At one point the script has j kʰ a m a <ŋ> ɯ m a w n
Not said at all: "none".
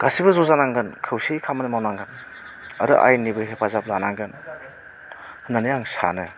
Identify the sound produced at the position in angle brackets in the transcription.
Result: n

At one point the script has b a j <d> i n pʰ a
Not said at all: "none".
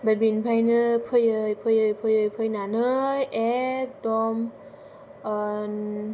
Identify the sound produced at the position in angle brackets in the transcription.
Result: b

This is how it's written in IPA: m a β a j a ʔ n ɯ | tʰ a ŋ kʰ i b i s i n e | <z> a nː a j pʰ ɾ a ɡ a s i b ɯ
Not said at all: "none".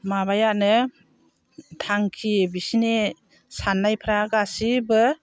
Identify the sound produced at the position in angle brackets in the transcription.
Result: s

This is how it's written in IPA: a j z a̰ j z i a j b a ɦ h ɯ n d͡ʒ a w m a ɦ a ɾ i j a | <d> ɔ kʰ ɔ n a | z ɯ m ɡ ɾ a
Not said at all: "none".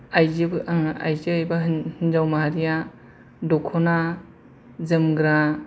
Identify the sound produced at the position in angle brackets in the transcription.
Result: d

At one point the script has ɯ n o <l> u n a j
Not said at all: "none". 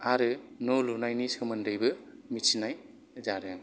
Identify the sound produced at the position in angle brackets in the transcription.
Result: l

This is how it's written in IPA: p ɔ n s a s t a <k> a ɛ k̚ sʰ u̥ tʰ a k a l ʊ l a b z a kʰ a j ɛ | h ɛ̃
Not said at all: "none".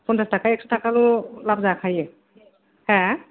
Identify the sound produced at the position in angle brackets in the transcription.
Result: k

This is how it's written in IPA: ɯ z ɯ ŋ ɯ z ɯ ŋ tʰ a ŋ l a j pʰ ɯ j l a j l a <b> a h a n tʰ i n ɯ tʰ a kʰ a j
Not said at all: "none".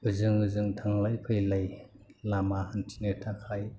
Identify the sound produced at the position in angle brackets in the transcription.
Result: m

